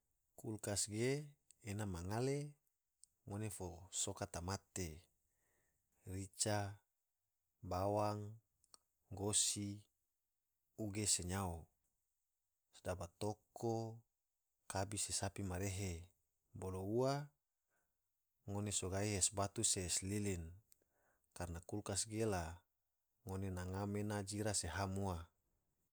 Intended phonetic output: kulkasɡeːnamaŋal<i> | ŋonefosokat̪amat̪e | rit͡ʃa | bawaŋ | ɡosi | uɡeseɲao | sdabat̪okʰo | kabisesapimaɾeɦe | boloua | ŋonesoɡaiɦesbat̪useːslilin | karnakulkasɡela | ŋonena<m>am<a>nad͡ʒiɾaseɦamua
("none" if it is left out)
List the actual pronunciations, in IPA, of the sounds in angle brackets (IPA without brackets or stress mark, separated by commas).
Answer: e, ŋ, e